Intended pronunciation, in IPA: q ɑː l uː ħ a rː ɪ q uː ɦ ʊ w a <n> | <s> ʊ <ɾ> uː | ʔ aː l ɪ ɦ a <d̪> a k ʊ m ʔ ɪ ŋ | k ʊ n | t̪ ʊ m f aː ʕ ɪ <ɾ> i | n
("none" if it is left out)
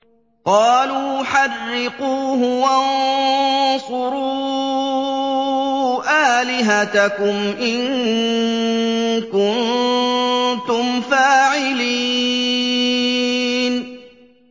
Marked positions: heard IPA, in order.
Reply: n, s, ɾ, t̪, l

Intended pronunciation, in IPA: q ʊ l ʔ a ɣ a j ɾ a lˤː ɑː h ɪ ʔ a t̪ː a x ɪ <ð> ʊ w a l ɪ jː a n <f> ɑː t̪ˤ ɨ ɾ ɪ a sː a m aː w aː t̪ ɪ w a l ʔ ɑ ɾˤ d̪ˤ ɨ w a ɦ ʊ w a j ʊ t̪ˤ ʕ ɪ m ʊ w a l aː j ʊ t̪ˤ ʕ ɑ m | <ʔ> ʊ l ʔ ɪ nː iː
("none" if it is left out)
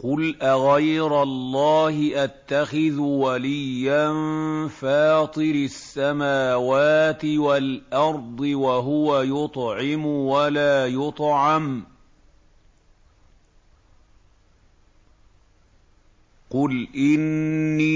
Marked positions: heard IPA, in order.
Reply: ð, f, q

